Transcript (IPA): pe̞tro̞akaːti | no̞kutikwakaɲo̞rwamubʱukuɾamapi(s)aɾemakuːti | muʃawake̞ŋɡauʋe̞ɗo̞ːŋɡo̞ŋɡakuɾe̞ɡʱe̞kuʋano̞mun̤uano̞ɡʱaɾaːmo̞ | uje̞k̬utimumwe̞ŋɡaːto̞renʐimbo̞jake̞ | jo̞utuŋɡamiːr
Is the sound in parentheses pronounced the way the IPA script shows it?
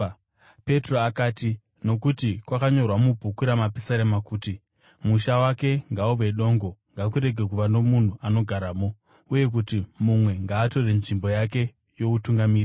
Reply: yes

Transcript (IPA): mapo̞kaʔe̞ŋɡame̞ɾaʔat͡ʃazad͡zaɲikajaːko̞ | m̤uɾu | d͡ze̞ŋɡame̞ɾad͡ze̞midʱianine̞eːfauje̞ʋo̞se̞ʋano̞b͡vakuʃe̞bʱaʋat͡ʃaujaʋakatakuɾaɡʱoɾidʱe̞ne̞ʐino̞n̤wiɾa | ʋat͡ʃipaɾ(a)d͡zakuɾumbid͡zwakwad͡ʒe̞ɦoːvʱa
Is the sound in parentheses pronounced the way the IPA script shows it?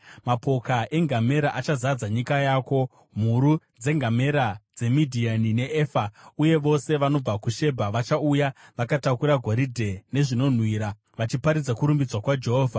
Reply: no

